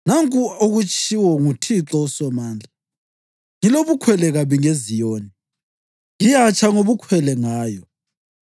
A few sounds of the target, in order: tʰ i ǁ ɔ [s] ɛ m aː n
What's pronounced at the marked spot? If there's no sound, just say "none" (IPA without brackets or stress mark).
s